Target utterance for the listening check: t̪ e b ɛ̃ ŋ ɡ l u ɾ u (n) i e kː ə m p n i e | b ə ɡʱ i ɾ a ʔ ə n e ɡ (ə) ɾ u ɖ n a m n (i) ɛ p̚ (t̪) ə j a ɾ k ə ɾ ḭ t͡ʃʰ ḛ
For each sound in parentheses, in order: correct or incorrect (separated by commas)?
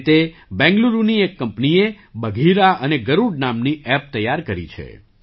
correct, correct, correct, correct